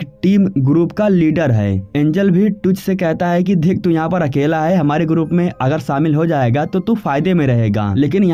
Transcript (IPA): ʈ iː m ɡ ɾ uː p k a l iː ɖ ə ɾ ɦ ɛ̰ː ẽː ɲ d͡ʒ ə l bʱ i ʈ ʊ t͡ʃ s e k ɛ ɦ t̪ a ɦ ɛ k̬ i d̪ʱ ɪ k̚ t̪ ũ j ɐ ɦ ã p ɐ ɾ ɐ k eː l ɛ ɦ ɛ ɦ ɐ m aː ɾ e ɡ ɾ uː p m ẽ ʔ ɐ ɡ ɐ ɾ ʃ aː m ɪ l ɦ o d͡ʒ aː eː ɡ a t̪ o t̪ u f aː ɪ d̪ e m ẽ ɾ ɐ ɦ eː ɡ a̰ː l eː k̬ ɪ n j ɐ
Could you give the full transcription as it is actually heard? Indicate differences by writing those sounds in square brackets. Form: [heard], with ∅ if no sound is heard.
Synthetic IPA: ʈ iː m ɡ ɾ uː p k a l iː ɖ ə ɾ ɦ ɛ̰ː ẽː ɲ d͡ʒ ə l bʱ i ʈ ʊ t͡ʃ s e k ɛ ɦ t̪ a ɦ ɛ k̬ i d̪ʱ ɪ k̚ t̪ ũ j ɐ ɦ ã p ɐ ɾ ɐ k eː l [a] ɦ ɛ ɦ ɐ m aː ɾ e ɡ ɾ uː p m ẽ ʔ ɐ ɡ [ə] ɾ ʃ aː m ɪ l ɦ o d͡ʒ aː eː ɡ a t̪ o t̪ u f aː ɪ d̪ e m ẽ ɾ ɐ ɦ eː ɡ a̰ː l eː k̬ ɪ n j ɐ